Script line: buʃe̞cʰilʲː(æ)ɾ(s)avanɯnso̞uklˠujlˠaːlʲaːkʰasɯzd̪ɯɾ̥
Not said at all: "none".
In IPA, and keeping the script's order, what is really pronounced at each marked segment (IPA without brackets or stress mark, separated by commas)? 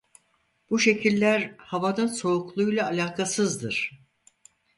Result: æ, h